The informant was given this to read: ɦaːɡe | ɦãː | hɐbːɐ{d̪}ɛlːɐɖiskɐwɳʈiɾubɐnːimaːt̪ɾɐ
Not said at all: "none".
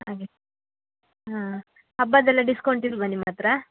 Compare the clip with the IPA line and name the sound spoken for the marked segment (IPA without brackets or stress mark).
d̪